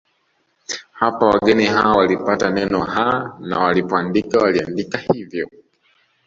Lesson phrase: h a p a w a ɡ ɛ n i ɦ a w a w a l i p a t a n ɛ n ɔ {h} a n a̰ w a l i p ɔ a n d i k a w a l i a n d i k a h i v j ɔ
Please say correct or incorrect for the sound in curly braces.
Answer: correct